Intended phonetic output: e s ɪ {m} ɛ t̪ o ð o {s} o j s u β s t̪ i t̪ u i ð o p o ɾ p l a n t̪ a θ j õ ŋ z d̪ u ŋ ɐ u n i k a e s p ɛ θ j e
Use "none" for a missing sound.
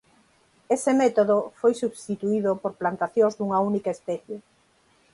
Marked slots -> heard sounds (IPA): m, f

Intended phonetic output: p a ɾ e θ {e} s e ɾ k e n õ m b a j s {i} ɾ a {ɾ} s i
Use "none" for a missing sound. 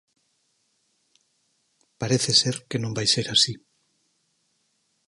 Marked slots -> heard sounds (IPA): e, e, none

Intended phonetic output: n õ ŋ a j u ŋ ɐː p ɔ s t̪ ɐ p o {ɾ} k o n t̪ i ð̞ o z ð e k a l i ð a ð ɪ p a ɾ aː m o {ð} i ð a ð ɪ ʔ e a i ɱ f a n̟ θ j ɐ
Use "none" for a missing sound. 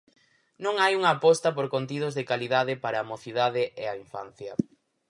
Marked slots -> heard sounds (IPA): ɾ, θ

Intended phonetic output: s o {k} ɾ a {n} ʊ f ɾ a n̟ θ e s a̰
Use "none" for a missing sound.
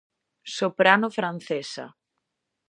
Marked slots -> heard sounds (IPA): p, n

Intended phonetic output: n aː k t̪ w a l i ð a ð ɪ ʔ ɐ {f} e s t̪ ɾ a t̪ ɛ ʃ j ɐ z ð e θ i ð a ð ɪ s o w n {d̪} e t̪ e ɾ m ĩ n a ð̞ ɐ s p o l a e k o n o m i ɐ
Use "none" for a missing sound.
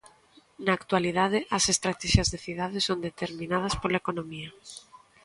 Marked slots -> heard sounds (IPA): s, d̪

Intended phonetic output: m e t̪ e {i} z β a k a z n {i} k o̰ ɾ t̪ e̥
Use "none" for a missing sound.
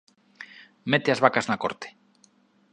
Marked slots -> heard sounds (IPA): a, a

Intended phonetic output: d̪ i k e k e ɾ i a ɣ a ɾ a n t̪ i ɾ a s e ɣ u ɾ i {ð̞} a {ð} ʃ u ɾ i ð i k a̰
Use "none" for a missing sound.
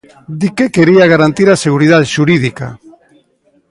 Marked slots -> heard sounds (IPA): ð̞, ð

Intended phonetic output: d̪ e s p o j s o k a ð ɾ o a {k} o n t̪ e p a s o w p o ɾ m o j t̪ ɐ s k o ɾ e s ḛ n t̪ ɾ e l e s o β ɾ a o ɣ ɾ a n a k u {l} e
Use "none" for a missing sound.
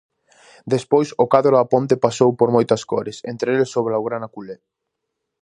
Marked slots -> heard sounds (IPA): p, l

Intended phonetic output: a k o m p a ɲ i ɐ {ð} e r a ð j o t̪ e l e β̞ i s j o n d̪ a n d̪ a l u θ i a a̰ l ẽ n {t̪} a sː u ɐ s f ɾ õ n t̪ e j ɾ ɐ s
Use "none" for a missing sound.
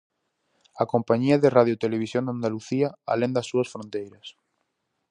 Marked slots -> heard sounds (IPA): ð, d̪

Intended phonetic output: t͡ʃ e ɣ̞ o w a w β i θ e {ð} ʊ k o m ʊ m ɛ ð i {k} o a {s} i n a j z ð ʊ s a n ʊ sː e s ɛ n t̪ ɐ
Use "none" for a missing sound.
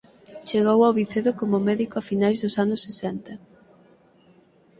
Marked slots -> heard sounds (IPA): ð, k, f

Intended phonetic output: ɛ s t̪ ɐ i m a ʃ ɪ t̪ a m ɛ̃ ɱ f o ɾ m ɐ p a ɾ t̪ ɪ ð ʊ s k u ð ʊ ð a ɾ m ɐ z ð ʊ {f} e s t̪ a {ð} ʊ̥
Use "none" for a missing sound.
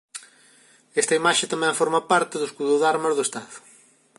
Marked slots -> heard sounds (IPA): none, ð

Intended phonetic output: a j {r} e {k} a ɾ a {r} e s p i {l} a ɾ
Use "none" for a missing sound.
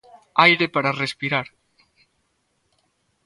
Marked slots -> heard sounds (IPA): ɾ, p, r, ɾ

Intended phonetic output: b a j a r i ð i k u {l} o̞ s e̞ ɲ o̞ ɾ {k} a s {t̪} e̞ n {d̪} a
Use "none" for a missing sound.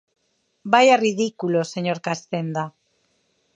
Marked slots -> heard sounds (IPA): l, k, t̪, d̪

